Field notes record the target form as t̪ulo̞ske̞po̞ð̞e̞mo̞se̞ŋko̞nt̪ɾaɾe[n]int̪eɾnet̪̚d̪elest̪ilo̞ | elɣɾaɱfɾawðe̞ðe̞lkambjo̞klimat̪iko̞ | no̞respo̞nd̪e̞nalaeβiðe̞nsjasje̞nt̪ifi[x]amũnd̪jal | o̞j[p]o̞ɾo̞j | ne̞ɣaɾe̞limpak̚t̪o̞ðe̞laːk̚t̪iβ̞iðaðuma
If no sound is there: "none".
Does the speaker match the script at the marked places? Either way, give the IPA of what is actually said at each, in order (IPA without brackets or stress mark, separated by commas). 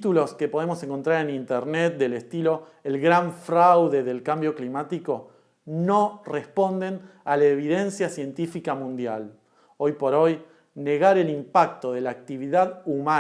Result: n, k, p